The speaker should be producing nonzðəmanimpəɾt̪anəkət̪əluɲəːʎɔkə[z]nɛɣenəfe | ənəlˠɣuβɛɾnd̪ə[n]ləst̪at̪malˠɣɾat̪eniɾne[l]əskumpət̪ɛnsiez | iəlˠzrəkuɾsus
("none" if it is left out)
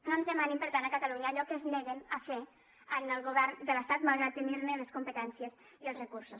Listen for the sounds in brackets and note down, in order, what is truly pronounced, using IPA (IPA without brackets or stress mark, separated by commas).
z, none, l